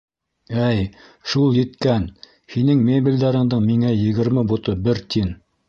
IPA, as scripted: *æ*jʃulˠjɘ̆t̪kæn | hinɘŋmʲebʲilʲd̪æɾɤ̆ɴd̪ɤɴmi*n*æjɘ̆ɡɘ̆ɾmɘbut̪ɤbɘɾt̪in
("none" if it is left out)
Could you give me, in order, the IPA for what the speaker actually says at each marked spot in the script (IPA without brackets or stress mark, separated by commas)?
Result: æ, ŋ